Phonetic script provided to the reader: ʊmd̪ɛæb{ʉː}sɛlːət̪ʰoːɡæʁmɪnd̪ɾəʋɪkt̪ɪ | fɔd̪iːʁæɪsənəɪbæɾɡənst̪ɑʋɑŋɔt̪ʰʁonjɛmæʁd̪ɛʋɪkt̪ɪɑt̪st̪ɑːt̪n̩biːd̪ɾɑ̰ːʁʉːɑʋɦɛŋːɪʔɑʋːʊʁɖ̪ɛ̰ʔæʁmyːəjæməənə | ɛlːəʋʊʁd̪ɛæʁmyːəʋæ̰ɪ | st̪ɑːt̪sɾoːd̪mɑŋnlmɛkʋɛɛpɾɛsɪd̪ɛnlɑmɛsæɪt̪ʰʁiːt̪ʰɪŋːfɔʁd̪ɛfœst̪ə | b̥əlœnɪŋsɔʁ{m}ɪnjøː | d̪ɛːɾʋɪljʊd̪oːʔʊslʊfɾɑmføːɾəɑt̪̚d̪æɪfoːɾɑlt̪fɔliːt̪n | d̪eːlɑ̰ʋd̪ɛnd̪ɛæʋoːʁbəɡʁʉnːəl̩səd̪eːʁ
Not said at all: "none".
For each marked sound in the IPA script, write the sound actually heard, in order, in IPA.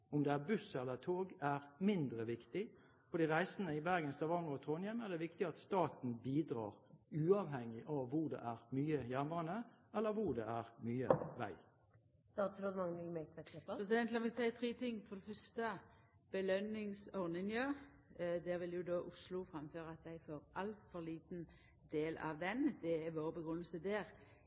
ʉ, n

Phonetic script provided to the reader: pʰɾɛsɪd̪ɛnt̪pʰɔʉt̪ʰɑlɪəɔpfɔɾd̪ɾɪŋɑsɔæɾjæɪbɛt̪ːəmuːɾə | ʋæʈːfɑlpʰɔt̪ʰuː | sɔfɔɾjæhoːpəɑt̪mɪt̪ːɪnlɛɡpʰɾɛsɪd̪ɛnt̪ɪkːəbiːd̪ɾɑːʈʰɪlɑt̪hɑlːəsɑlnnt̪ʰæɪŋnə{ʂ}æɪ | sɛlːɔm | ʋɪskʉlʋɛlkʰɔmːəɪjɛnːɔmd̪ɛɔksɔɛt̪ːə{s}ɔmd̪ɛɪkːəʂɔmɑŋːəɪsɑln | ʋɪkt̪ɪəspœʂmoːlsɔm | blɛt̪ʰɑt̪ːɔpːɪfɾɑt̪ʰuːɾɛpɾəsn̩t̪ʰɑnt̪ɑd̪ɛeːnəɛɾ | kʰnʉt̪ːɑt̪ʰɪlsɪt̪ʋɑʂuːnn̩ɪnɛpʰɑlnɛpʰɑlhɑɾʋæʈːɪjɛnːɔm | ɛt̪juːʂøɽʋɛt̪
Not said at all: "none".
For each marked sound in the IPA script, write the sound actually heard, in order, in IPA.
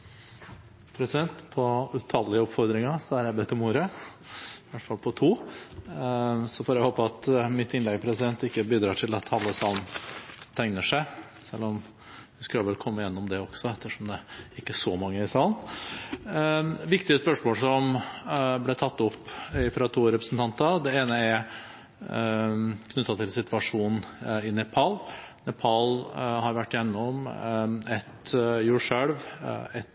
ʂ, ʂ

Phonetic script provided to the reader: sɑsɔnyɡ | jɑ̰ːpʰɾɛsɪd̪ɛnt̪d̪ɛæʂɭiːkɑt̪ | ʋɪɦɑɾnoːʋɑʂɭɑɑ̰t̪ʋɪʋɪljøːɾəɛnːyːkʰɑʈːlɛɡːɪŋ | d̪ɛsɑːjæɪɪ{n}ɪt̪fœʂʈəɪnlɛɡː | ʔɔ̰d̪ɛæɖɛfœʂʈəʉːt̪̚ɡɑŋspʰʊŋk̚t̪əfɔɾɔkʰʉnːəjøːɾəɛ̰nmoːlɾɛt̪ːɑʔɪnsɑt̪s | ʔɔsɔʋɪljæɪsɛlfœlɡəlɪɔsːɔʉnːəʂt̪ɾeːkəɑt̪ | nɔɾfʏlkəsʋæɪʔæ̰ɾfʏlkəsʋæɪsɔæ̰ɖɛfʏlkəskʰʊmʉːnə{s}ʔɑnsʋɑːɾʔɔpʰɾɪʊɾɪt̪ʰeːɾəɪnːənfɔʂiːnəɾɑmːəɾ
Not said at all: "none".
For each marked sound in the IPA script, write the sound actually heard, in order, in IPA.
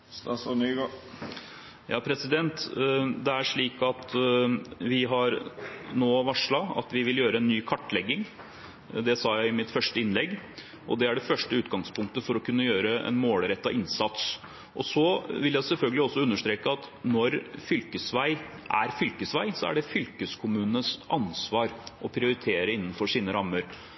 m, s

